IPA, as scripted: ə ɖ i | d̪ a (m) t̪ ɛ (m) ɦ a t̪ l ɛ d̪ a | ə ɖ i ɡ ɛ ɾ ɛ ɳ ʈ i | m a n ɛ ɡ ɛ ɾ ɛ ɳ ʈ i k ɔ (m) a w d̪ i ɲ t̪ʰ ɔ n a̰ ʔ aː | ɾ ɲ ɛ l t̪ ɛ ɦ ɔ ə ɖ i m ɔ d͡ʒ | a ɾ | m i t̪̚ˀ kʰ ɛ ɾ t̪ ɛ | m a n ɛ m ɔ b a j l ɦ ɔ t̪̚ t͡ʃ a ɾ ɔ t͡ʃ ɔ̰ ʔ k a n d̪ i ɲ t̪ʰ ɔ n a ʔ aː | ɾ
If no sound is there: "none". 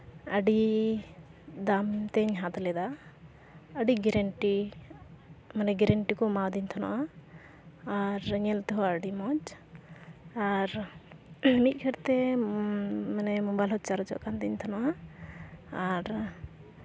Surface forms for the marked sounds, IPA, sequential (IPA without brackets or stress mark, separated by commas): m, ɲ, m